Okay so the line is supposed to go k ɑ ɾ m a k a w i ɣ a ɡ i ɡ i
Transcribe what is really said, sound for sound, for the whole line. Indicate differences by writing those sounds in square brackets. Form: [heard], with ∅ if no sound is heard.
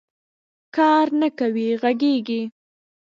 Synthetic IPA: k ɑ ɾ [n] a k a w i ɣ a ɡ [e] ɡ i